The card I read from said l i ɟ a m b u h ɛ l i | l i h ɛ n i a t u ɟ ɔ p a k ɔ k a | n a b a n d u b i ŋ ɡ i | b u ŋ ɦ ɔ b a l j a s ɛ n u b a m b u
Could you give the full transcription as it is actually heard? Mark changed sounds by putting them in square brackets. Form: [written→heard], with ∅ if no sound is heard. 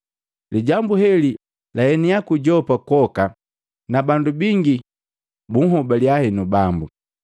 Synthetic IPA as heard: l i ɟ a m b u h ɛ l i | l [i→a] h ɛ n i a [t→k] u ɟ ɔ p a k ɔ k a | n a b a n d u b i ŋ ɡ i | b u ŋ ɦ ɔ b a l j a [s→h] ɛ n u b a m b u